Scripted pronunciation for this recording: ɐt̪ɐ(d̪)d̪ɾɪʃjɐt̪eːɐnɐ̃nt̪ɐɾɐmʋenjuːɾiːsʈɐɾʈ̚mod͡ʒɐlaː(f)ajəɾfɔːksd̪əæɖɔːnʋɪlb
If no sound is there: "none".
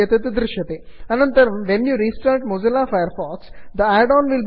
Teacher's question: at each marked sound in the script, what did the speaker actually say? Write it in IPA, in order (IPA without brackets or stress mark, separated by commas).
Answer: t̪, f